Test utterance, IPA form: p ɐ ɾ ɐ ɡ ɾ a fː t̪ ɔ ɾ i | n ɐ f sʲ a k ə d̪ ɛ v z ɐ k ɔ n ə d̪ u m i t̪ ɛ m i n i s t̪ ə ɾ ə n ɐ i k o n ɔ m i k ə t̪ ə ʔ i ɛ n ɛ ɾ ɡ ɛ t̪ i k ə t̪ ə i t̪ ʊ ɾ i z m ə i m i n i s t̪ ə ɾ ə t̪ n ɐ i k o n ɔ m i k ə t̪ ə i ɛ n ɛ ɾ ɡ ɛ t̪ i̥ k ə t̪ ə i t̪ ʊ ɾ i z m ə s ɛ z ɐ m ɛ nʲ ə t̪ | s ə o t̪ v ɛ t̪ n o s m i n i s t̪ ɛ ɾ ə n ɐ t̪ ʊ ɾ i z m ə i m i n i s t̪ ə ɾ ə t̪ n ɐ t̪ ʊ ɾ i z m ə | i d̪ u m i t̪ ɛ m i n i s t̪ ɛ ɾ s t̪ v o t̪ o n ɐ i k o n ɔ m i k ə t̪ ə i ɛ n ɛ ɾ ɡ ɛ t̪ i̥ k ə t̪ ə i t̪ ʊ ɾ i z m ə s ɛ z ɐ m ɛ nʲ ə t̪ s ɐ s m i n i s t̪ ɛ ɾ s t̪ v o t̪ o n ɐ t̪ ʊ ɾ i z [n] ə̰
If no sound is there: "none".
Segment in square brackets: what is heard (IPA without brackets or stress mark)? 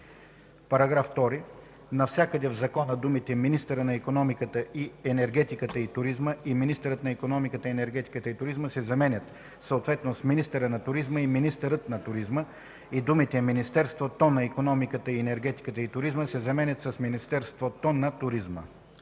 m